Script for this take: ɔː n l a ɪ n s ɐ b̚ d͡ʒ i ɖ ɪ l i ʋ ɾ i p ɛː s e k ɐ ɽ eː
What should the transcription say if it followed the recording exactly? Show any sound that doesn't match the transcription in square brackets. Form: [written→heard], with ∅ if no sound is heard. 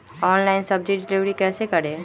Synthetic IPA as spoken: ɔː n l a ɪ n s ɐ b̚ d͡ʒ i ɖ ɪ l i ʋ ɾ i [p→k] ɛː s e k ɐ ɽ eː